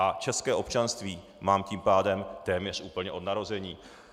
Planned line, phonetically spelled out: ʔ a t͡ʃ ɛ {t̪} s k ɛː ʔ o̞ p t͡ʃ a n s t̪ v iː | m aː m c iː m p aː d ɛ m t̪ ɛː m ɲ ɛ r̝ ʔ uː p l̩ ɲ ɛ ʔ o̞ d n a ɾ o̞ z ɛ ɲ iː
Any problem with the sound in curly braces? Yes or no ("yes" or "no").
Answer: yes